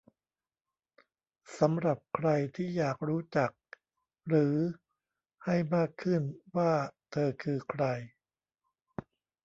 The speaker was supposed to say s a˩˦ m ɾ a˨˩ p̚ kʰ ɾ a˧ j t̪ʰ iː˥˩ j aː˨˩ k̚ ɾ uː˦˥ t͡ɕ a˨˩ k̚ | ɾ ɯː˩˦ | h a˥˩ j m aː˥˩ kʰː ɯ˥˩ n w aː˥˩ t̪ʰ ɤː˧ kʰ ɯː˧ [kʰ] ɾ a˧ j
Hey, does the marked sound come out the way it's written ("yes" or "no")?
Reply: yes